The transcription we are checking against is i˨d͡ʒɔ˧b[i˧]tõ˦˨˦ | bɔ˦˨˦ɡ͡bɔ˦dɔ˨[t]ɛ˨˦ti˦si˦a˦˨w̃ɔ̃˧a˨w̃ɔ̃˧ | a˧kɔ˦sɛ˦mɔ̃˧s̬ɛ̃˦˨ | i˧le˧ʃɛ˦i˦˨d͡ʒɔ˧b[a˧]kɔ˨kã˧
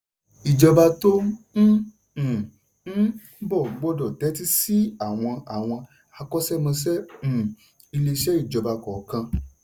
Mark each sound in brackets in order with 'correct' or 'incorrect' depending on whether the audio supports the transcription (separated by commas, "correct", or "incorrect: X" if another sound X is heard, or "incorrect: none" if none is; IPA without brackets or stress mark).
incorrect: a˧, correct, correct